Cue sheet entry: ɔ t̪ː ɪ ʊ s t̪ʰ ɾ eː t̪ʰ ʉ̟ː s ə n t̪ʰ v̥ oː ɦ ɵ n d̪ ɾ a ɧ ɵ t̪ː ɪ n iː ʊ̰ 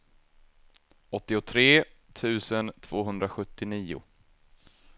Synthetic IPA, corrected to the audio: ɔ t̪ː ɪ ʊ t̪ʰ ɾ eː t̪ʰ ʉ̟ː s ə n t̪ʰ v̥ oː ɦ ɵ n d̪ ɾ a ɧ ɵ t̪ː ɪ n iː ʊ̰